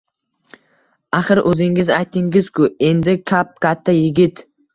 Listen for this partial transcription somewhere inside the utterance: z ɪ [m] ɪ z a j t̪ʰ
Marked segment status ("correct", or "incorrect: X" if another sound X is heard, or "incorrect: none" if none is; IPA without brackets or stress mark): incorrect: ŋ